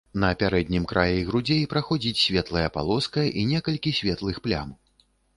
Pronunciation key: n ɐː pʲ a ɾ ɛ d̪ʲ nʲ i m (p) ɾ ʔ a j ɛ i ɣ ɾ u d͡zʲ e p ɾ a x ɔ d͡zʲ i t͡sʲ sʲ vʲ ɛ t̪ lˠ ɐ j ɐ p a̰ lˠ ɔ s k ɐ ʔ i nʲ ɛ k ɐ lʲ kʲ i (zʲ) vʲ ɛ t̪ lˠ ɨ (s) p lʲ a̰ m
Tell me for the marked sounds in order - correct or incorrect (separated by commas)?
incorrect, incorrect, incorrect